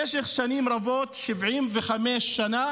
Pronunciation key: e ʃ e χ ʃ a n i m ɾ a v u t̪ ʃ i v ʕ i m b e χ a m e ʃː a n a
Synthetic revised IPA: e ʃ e χ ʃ a n i m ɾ a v o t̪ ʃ i v ʕ i m v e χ a m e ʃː a n a